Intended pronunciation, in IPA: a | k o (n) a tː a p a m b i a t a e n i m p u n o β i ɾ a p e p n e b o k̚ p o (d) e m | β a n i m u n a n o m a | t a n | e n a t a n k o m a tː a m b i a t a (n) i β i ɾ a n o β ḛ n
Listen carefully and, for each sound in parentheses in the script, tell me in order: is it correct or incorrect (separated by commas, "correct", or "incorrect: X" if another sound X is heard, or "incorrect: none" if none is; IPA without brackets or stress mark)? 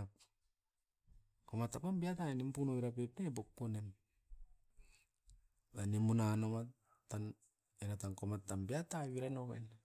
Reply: incorrect: m, incorrect: n, incorrect: none